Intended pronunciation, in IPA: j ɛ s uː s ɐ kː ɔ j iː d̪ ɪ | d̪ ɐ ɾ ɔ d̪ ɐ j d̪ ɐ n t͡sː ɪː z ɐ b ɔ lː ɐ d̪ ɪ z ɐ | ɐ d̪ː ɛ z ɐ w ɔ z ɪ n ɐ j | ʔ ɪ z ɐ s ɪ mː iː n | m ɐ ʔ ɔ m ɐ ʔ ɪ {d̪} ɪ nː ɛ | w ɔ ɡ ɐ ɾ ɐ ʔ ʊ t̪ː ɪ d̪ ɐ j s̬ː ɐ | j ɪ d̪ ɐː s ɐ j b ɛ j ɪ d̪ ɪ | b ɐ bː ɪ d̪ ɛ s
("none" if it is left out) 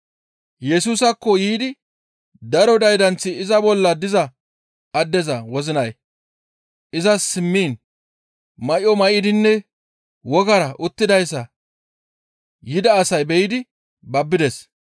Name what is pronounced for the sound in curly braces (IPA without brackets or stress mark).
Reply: d̪